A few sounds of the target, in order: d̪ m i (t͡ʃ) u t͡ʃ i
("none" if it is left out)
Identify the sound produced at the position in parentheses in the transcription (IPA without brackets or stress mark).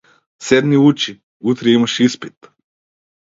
none